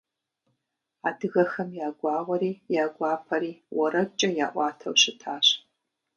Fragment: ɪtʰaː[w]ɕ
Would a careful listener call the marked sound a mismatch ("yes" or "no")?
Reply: yes